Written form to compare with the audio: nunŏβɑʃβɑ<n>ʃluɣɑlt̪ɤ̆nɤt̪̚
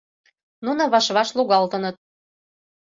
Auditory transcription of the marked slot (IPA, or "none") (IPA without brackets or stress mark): none